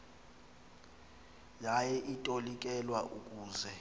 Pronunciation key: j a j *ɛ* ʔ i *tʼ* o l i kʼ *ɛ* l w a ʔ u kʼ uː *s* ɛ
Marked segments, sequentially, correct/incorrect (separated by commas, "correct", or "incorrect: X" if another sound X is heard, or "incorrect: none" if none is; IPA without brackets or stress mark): correct, correct, correct, incorrect: z